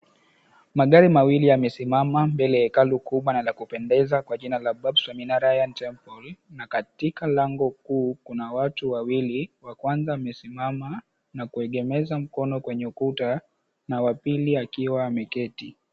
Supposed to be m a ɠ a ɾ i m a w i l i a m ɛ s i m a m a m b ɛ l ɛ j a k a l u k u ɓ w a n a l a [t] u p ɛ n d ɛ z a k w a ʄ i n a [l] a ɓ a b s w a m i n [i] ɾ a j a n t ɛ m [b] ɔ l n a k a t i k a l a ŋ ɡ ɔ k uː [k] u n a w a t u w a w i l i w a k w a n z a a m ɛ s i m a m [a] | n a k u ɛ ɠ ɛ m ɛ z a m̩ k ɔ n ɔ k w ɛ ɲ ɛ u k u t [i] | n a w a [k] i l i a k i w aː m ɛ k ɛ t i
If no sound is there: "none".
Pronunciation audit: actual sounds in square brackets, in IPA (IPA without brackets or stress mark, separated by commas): k, l, a, p, k, a, a, p